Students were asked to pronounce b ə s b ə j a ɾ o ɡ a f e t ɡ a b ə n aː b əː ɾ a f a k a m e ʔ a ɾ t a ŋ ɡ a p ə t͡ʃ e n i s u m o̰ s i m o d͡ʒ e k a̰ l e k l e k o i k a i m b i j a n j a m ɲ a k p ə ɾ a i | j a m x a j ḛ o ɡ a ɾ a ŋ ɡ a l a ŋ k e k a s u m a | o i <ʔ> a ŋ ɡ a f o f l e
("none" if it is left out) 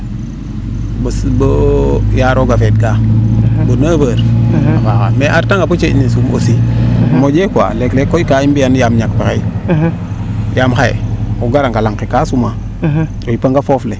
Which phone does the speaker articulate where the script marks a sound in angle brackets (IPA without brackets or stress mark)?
p